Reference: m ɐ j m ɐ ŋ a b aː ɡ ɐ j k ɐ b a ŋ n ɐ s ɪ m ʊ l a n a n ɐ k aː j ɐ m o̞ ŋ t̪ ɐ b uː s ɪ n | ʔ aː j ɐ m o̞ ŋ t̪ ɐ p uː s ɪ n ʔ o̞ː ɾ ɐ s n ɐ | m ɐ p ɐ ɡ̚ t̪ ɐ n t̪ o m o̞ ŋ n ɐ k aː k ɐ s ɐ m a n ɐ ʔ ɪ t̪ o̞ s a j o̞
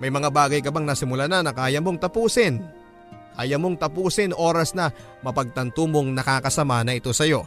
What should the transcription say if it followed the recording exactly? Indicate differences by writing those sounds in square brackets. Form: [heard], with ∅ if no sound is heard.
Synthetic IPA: m ɐ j m ɐ ŋ a b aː ɡ ɐ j k ɐ b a ŋ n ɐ s ɪ m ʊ l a n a n ɐ k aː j ɐ m o̞ ŋ t̪ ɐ [p] uː s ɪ n | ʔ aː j ɐ m o̞ ŋ t̪ ɐ p uː s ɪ n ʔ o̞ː ɾ ɐ s n ɐ | m ɐ p ɐ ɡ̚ t̪ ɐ n t̪ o m o̞ ŋ n ɐ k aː k ɐ s ɐ m a n ɐ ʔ ɪ t̪ o̞ s [ɐ] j o̞